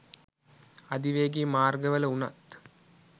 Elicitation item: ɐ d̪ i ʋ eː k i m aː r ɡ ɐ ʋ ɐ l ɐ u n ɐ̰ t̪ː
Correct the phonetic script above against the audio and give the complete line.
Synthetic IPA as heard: ɐ d̪ i ʋ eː ɡ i m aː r ɡ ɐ ʋ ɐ l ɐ u n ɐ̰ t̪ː

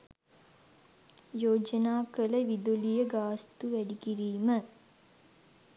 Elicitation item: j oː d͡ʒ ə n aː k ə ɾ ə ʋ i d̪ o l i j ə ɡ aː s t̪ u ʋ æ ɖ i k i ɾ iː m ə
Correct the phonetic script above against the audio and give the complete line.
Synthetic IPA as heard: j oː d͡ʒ ə n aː k ə l ə ʋ i d̪ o l i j ə ɡ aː s t̪ u ʋ æ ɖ i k i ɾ iː m ə

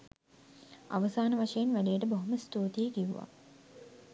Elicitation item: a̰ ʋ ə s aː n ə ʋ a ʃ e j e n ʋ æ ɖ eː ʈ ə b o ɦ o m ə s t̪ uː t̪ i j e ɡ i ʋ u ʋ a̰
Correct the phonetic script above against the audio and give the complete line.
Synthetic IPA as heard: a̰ ʋ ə s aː n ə ʋ a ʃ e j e n ʋ æ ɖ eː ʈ ə b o ɦ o m ə s t̪ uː t̪ i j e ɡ i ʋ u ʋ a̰

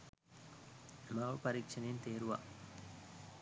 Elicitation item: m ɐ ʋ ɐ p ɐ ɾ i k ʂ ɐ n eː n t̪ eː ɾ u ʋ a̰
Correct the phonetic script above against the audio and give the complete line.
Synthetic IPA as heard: m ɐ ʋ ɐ p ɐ ɾ i k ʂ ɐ n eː n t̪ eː ɾ u ʋ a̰

